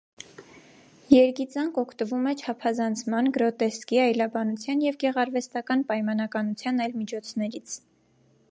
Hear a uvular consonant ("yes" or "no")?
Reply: yes